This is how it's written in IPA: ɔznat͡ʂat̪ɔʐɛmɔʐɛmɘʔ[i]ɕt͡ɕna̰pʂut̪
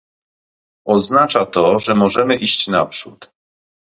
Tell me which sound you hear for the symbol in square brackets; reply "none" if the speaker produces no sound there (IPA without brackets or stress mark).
i